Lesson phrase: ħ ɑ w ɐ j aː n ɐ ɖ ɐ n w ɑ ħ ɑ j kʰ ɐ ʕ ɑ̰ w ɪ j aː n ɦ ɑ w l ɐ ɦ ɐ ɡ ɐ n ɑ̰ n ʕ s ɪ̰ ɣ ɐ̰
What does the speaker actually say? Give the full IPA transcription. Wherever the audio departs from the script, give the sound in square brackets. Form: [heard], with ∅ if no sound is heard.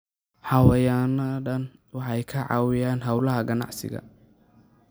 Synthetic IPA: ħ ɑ w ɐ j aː n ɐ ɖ ɐ n w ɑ ħ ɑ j kʰ ɐ ʕ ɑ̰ w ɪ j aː n ɦ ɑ w l ɐ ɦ ɐ ɡ ɐ n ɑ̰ [∅] ʕ s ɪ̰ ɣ ɐ̰